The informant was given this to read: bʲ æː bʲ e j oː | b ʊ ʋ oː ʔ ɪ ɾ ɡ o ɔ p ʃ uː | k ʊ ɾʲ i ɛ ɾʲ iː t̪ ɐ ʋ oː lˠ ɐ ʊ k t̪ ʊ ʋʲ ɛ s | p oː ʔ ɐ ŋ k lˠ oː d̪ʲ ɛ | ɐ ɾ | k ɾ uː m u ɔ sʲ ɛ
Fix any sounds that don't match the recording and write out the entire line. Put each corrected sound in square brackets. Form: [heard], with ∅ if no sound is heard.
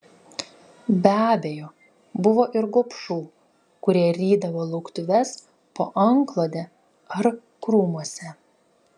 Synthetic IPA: bʲ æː bʲ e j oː | b ʊ ʋ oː ʔ ɪ ɾ ɡ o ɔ p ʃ uː | k ʊ ɾʲ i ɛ ɾʲ iː [d̪] ɐ ʋ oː lˠ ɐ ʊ k t̪ ʊ ʋʲ ɛ s | p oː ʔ ɐ ŋ k lˠ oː d̪ʲ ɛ | ɐ ɾ | k ɾ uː m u ɔ sʲ ɛ